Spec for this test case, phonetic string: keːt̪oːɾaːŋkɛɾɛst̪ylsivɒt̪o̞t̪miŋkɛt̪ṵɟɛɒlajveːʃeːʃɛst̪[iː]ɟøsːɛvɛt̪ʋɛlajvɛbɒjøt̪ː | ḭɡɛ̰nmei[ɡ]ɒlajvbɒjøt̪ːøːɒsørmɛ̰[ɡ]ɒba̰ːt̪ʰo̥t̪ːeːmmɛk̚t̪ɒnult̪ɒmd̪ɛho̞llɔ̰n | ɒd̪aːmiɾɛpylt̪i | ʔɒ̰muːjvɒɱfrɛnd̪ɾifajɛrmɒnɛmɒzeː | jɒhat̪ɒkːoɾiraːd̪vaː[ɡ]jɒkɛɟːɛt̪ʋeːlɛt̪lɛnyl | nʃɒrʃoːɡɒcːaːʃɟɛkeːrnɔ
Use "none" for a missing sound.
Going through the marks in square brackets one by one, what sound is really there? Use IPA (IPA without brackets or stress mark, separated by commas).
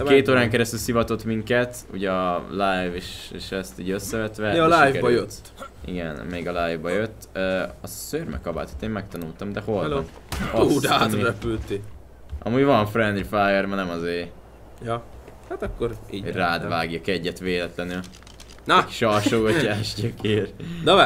iː, ɡ, k, ɡ